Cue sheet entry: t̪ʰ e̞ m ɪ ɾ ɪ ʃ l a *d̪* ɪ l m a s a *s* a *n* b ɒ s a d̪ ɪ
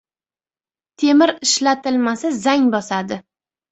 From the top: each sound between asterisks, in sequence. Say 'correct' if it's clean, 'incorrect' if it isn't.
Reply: incorrect: t̪, incorrect: z, incorrect: ŋ

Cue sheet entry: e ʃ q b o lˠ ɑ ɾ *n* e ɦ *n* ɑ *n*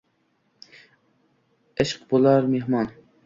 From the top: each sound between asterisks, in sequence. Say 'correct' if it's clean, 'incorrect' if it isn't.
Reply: incorrect: m, incorrect: m, correct

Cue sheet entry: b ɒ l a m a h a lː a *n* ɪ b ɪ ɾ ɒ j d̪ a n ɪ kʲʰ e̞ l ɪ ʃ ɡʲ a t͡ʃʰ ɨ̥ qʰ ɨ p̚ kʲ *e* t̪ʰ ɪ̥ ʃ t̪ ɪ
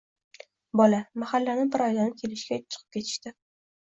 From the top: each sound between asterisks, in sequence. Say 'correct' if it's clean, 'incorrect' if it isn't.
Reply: correct, correct

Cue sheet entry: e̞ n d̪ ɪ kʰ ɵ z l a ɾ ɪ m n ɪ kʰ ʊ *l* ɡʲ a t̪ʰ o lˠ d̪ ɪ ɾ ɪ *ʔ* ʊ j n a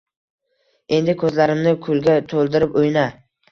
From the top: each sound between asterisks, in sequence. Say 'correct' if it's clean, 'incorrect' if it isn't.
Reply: correct, incorrect: p

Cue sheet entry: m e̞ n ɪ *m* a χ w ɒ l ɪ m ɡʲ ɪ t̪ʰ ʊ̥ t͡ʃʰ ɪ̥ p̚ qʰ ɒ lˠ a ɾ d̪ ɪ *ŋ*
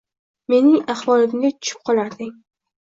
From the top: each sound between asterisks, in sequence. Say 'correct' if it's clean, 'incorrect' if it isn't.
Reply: incorrect: ŋ, correct

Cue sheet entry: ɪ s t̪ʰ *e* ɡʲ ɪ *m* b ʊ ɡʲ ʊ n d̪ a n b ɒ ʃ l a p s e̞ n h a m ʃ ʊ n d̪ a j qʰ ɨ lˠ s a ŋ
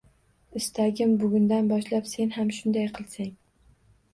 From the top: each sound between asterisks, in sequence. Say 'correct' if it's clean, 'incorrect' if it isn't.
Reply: incorrect: a, correct

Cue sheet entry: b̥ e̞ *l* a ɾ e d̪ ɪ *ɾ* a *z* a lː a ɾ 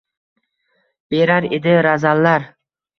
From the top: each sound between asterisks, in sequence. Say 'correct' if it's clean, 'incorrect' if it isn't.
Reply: incorrect: ɾ, correct, correct

